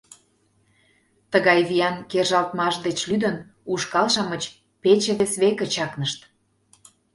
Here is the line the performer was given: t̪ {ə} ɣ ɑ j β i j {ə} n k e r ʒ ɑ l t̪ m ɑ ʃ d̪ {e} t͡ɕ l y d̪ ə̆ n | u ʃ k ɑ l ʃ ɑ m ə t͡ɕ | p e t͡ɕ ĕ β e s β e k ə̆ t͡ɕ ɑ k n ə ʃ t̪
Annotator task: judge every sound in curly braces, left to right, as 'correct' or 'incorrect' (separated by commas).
correct, incorrect, correct